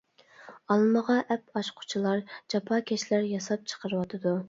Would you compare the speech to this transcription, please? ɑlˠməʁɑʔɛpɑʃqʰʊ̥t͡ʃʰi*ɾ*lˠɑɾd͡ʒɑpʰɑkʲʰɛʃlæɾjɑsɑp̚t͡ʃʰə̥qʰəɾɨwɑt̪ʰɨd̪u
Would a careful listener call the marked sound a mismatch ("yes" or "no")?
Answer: yes